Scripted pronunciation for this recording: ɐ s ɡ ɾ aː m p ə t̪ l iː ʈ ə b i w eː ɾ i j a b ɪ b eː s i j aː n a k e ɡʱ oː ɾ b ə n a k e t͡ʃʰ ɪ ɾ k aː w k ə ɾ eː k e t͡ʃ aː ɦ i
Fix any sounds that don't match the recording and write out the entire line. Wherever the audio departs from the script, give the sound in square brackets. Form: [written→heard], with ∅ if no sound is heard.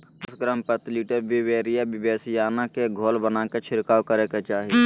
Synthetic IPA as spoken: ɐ s ɡ ɾ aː m p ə t̪ l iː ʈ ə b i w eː ɾ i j a b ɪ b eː s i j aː n a k e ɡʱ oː [ɾ→l] b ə n a k e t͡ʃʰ ɪ ɾ k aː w k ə ɾ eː k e t͡ʃ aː ɦ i